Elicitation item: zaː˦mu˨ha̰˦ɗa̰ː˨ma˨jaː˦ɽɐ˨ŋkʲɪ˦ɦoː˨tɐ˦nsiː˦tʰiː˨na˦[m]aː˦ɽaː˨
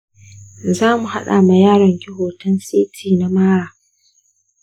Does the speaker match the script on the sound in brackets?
yes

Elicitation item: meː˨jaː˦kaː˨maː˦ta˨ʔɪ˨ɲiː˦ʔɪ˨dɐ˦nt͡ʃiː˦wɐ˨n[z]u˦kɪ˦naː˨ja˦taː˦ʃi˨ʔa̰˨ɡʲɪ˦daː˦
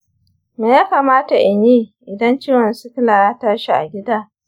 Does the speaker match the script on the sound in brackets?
no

